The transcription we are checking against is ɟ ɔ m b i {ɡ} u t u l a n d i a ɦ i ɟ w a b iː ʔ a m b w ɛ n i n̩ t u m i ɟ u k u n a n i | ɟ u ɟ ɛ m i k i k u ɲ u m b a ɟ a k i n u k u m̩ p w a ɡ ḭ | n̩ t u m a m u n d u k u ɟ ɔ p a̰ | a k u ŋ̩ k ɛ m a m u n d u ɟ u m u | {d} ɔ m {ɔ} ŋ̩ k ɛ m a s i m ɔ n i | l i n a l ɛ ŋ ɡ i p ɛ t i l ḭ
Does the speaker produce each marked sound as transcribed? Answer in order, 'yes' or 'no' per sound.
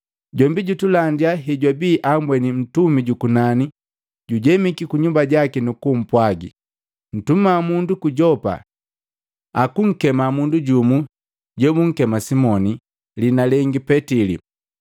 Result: no, no, no

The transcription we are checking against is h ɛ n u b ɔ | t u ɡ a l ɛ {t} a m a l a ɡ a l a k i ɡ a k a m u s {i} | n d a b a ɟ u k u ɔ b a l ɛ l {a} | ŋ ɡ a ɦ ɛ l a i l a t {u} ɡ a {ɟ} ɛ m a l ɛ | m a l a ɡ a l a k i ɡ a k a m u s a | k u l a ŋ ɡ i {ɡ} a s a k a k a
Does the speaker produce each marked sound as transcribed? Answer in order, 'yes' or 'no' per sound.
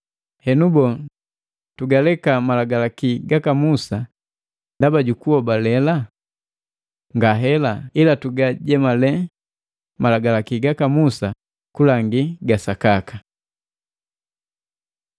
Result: no, no, yes, yes, yes, yes

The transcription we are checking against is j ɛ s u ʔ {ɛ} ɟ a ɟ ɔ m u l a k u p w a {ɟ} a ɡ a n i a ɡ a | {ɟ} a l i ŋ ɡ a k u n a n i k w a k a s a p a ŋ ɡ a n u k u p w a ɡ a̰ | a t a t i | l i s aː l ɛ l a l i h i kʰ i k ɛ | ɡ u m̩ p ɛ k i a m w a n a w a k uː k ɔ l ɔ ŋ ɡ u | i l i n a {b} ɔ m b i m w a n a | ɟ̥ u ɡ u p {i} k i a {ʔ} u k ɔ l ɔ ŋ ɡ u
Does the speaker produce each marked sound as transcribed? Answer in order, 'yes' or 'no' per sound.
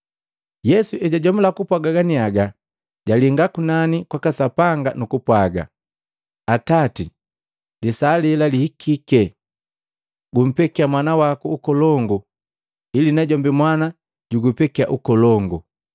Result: yes, no, yes, no, no, yes

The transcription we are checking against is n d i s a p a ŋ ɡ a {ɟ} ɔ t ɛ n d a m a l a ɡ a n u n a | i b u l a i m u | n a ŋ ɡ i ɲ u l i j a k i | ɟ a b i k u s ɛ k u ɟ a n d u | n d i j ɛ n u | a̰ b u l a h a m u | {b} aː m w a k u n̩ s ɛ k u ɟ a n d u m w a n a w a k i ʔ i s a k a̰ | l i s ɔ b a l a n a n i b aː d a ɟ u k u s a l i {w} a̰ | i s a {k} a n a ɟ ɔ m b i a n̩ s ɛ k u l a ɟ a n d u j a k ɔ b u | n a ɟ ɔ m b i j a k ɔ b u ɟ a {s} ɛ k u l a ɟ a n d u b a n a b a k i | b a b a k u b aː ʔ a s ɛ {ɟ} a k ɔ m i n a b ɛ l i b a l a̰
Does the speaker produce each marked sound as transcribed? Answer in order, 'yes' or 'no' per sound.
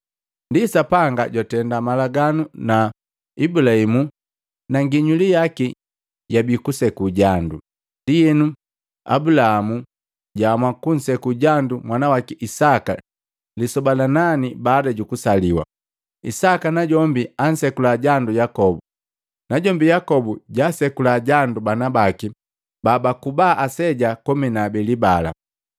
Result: yes, no, yes, yes, yes, yes

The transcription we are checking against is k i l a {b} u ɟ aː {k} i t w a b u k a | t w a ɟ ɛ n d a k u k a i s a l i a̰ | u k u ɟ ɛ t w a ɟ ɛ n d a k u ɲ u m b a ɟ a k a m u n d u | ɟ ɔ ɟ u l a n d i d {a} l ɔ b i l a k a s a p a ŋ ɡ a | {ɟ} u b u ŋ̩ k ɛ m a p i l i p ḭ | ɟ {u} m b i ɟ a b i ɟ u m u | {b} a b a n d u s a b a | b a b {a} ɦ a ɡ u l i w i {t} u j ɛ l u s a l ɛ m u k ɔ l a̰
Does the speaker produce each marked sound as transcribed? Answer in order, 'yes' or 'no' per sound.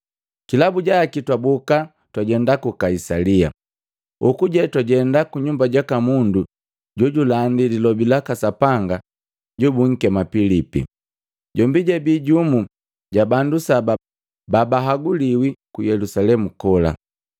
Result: yes, yes, no, yes, no, no, yes, no

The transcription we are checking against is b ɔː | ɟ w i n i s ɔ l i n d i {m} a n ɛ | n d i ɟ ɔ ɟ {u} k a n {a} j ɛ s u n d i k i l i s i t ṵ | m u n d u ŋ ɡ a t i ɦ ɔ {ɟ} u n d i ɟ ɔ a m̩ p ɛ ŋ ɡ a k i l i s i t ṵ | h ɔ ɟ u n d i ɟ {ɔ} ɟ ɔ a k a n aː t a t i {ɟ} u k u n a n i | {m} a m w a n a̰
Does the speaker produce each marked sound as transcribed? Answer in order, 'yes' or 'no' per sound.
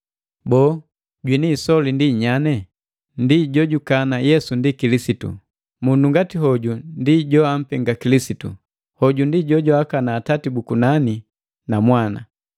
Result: no, yes, yes, yes, yes, no, no

